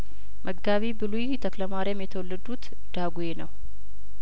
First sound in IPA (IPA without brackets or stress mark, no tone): m